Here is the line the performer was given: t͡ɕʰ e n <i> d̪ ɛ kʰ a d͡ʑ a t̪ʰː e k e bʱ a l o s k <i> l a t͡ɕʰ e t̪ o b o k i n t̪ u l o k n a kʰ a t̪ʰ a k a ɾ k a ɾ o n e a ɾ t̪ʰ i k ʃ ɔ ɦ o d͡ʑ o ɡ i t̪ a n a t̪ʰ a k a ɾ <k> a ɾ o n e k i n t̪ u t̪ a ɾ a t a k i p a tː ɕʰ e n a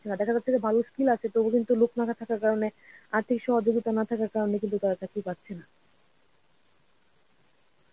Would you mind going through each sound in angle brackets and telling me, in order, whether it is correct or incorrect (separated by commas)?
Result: incorrect, correct, correct